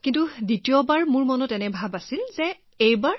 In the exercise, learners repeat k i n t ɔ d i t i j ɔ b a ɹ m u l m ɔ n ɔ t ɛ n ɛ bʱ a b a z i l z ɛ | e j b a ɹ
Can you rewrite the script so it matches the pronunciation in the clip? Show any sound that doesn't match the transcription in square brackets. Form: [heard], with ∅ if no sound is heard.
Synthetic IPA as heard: k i n t [u] d i t i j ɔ b a ɹ m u [ɹ] m ɔ n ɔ t ɛ n ɛ bʱ a b a [s] i l z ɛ | e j b a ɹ